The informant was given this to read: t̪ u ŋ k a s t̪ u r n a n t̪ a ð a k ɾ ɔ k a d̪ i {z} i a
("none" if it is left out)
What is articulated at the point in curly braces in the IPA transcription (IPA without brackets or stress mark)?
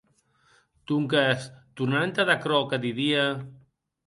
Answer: ð